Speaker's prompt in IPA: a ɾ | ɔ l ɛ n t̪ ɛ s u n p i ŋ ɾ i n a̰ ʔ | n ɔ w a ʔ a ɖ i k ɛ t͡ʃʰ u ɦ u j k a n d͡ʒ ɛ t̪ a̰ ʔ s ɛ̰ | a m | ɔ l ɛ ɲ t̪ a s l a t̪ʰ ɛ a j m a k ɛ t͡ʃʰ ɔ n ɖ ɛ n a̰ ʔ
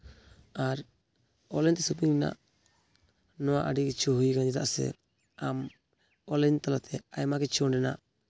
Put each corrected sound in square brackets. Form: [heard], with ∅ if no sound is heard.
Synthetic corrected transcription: a ɾ | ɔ l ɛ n t̪ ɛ s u [∅] p i ŋ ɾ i n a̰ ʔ | n ɔ w a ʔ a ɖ i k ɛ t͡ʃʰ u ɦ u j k a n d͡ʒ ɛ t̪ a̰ ʔ s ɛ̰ | a m | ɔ l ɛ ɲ t̪ a [∅] l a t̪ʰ ɛ a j m a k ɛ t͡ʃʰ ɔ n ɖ ɛ n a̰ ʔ